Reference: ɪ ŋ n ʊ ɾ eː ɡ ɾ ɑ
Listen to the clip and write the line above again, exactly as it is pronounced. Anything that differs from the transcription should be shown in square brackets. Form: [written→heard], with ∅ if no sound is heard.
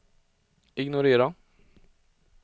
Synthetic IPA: ɪ [ŋ→ɡ] n ʊ ɾ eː [ɡ→∅] ɾ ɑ